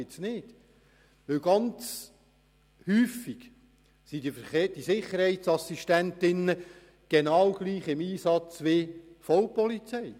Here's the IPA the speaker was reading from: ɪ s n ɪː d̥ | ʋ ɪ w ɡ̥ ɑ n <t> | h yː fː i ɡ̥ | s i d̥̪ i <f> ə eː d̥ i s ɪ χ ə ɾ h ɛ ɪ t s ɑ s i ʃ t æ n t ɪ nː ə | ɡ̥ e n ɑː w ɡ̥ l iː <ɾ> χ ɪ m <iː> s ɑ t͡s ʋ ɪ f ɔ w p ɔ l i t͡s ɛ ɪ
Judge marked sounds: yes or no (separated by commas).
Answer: no, yes, no, yes